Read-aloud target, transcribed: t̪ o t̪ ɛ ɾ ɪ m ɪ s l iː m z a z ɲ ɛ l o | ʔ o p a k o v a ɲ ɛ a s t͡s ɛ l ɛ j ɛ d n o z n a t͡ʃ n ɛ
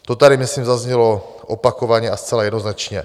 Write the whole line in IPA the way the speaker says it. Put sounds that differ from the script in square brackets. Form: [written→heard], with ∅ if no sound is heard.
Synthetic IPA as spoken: t̪ o t̪ [ɛ→a] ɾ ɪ m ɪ s l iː m z a z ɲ ɛ l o | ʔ o p a k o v a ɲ ɛ a s t͡s ɛ l [ɛ→a] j ɛ d n o z n a t͡ʃ [n→ɲ] ɛ